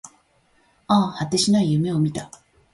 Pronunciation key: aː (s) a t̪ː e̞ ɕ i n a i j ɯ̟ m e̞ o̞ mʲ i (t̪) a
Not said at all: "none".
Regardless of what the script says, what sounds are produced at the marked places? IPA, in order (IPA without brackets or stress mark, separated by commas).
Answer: h, t̪